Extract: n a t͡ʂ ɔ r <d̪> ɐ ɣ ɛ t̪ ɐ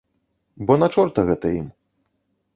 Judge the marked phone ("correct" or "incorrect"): incorrect